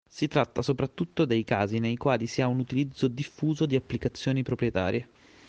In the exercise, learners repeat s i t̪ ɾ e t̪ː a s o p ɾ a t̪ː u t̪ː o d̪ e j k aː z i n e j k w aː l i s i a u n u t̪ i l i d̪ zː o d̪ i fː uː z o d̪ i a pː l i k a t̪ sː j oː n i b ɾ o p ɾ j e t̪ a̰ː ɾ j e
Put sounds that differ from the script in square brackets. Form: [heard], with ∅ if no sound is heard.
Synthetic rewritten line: s i t̪ ɾ [a] t̪ː a s o p ɾ a t̪ː u t̪ː o d̪ e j k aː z i n e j k w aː l i s i a u n u t̪ i l i d̪ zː o d̪ i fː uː z o d̪ i a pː l i k a t̪ sː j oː n i [p] ɾ o p ɾ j e t̪ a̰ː ɾ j e